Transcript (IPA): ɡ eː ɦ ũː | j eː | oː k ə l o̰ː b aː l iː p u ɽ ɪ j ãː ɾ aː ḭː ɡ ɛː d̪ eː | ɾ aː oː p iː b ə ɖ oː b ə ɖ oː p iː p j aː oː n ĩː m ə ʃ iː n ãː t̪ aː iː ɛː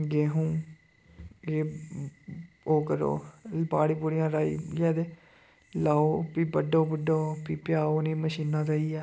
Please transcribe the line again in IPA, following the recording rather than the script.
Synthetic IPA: ɡ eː ɦ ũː | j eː | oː k ə ɾ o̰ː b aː ɽ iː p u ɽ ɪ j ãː ɾ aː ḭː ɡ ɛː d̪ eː | l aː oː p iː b ə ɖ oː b ə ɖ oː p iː p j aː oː n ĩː m ə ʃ iː n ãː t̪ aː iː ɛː